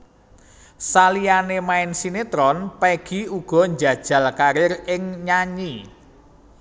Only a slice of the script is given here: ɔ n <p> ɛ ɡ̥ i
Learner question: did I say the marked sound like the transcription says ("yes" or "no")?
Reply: yes